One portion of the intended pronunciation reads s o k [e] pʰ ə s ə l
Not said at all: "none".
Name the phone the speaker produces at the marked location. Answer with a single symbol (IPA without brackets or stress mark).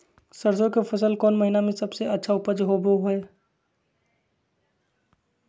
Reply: e